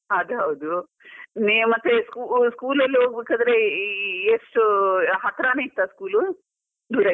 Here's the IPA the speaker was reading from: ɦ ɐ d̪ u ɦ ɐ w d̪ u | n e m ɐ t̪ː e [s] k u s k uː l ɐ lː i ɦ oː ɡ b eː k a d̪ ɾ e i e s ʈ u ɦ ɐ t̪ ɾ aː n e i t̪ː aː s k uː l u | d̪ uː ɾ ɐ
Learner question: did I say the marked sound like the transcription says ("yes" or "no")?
yes